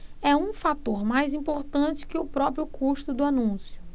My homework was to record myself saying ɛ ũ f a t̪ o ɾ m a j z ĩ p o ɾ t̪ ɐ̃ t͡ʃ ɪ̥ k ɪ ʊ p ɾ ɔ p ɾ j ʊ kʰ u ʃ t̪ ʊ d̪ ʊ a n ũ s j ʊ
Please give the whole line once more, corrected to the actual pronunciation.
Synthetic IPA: ɛ ũ f a t̪ o ɾ m a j z ĩ p o ɾ t̪ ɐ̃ t͡ʃ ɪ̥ k ɪ ʊ p ɾ ɔ p ɾ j ʊ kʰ u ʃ t̪ ʊ d̪ ʊ a n ũ s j ʊ